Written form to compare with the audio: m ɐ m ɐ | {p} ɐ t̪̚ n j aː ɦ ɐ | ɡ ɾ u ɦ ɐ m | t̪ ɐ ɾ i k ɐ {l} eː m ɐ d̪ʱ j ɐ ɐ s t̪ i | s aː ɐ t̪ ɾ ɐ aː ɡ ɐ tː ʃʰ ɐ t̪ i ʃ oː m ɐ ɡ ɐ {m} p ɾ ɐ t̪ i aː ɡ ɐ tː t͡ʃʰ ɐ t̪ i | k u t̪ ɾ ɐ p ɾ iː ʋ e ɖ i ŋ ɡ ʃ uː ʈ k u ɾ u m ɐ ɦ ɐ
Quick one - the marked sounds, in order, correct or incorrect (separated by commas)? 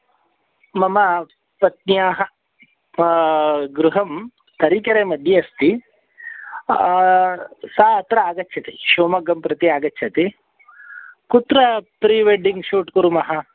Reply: correct, incorrect, correct